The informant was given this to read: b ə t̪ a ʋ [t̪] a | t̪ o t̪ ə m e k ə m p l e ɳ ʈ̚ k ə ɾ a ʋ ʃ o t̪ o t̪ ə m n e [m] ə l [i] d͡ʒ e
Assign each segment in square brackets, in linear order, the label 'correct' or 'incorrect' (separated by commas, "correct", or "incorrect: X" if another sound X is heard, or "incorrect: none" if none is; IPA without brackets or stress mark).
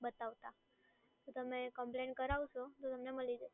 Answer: correct, correct, correct